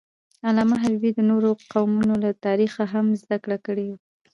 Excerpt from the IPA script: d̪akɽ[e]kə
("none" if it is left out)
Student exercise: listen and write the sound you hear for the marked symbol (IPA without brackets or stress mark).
a